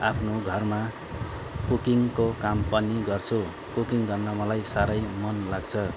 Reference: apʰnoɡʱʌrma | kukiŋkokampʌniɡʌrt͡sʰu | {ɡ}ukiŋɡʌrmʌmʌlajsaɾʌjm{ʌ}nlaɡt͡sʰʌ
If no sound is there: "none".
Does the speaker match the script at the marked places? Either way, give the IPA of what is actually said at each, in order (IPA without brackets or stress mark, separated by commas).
k, ʌ